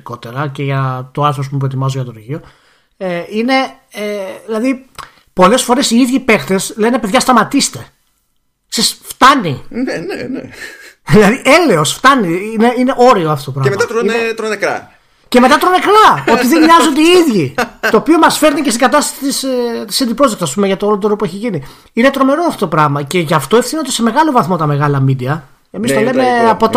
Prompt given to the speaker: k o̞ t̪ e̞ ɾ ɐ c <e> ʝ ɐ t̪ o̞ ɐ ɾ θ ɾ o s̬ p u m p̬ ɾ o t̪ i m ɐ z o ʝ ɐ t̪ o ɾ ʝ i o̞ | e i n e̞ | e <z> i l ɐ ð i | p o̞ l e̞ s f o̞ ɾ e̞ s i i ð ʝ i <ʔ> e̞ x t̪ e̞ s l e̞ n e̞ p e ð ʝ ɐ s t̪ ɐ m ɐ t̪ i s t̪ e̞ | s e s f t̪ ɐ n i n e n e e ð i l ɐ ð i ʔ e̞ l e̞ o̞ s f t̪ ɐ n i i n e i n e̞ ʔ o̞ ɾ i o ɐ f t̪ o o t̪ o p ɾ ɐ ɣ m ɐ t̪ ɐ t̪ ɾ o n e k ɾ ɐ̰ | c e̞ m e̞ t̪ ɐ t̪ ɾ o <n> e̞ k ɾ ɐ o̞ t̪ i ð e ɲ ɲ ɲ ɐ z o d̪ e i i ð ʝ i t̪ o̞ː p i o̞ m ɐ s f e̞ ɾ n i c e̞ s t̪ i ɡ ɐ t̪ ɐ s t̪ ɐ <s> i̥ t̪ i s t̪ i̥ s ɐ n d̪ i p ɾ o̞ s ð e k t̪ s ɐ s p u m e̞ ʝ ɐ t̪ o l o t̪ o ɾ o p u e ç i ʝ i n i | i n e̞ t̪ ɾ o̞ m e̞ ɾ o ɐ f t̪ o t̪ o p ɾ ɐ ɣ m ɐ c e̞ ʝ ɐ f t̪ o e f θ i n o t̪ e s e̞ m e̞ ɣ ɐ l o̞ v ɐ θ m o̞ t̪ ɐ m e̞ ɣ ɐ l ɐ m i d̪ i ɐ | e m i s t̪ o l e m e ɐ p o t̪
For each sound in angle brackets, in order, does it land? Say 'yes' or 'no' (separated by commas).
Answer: yes, no, no, yes, yes